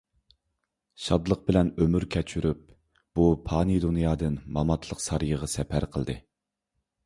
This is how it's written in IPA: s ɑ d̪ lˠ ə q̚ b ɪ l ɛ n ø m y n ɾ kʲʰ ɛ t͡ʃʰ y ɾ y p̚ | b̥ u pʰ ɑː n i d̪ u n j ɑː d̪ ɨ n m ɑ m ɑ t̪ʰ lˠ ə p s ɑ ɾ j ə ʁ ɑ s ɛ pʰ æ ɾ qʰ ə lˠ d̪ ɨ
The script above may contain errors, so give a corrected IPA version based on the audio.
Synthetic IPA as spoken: ʃ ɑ d̪ lˠ ə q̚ b ɪ l ɛ n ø m y ɾ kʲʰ ɛ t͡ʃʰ y ɾ y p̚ | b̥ u pʰ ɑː n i d̪ u n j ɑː d̪ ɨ n m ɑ m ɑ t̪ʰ lˠ ə q s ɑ ɾ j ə ʁ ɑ s ɛ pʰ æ ɾ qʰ ə lˠ d̪ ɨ